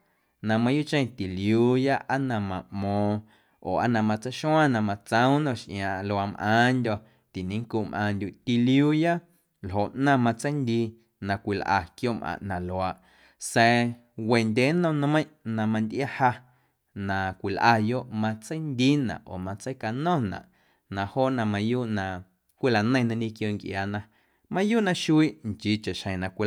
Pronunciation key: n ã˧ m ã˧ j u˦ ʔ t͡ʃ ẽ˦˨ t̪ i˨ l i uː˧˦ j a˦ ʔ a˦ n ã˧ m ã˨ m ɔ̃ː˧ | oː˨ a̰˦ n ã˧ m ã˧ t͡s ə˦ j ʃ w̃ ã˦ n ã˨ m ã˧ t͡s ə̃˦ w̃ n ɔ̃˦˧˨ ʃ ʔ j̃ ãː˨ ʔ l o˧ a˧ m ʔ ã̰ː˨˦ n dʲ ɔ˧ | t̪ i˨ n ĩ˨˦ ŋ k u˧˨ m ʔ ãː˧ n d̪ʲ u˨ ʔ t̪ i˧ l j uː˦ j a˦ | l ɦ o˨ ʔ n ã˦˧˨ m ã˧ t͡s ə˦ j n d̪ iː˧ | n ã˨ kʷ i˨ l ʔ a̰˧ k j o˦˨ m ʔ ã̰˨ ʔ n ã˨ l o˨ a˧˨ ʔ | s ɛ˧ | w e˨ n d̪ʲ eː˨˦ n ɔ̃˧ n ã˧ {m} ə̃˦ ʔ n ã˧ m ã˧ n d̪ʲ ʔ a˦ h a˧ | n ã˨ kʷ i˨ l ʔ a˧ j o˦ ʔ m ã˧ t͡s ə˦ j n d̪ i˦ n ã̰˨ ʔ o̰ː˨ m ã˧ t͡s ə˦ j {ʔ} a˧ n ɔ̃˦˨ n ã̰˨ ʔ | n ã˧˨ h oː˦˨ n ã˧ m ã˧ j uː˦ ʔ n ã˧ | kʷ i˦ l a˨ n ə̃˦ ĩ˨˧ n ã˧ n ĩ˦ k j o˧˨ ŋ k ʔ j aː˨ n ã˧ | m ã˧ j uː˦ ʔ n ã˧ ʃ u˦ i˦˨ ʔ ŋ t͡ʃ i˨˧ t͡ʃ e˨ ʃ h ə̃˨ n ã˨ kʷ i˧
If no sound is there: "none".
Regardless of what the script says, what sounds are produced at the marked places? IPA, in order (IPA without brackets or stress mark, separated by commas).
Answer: m, k